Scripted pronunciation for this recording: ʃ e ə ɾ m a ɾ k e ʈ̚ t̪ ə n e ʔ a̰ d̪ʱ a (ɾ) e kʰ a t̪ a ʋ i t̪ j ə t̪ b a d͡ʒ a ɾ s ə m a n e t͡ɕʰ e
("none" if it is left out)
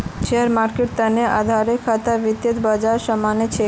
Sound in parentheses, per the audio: ɾ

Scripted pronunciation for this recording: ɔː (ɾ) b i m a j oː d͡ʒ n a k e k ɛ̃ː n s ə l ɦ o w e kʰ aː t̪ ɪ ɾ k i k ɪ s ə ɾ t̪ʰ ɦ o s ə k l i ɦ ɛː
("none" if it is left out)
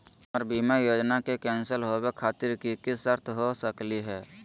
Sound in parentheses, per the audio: ɾ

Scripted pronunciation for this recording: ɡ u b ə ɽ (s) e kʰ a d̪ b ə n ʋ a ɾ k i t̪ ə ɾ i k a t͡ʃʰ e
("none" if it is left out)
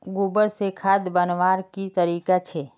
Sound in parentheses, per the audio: s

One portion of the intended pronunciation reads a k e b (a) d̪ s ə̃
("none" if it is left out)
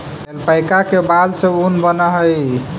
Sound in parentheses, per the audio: a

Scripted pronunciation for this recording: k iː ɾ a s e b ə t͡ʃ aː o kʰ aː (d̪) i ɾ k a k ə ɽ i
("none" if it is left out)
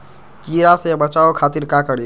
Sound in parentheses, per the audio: t̪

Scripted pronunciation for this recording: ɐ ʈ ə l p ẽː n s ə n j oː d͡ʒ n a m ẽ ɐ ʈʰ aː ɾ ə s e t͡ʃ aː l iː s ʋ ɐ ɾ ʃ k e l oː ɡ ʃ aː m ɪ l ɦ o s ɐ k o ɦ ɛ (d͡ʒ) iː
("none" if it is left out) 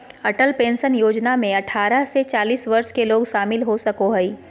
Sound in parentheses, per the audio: none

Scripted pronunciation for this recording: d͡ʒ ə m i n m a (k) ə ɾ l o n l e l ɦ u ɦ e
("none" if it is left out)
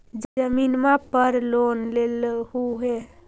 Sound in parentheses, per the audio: p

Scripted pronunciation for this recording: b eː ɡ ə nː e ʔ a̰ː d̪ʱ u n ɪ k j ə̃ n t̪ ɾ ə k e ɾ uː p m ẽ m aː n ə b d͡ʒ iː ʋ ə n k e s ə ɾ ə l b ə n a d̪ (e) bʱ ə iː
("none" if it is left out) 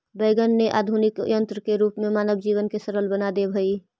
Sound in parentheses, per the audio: e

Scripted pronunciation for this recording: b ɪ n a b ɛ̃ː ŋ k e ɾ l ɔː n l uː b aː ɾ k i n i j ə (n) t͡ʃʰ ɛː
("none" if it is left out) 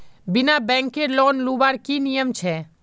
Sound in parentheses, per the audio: m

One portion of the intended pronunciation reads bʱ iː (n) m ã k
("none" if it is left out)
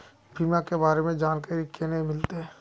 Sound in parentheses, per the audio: none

